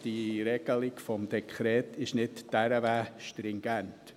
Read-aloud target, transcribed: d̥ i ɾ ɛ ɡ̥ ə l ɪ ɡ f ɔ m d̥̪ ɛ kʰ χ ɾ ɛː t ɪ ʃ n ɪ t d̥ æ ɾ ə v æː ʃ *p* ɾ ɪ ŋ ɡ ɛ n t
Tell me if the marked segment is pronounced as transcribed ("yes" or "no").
no